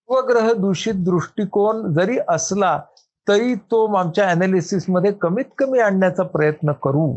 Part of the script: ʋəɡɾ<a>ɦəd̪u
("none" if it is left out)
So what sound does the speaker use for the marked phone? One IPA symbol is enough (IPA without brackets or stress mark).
ə